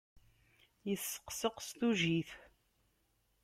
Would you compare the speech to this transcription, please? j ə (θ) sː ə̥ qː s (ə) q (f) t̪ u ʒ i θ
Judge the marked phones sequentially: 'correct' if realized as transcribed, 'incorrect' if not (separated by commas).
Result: correct, correct, incorrect